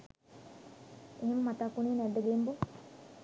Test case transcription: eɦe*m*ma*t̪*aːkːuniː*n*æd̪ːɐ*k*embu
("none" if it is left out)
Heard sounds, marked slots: m, t̪, n, ɡ

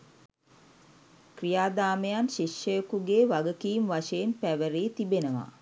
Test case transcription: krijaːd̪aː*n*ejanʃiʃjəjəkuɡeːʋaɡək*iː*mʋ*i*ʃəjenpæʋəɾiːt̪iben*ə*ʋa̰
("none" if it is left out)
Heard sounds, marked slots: m, iː, a, ə

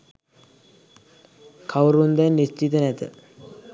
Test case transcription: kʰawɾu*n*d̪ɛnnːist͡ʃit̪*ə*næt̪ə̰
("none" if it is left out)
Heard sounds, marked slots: n, ə

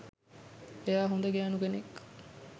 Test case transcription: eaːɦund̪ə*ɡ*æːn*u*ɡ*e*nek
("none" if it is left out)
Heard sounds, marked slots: ɡ, u, e

